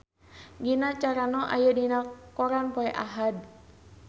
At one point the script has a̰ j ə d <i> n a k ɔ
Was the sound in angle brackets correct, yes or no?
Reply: yes